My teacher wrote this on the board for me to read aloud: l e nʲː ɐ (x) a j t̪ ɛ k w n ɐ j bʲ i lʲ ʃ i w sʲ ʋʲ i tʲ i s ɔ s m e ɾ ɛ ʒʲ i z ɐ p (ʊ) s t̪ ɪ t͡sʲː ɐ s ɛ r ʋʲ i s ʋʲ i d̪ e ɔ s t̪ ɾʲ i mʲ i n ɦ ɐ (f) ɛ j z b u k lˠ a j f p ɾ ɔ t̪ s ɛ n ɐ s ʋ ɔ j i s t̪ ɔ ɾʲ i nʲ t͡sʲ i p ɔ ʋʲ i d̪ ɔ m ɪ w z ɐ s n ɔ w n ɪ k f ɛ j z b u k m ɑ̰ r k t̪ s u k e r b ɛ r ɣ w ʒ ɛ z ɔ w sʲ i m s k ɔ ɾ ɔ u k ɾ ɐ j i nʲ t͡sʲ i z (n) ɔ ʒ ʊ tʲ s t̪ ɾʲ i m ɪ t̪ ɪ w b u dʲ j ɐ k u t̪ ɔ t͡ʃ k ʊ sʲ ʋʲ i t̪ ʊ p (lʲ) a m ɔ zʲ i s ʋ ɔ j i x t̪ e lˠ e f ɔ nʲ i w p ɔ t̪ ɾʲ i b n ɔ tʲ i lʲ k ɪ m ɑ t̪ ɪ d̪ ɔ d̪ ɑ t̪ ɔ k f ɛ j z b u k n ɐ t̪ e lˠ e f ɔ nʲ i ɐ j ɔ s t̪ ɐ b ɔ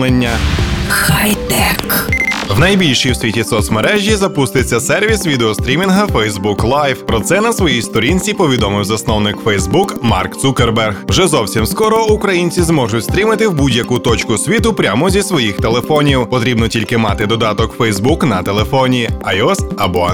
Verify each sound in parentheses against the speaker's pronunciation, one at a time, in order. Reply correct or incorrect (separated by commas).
correct, incorrect, correct, incorrect, incorrect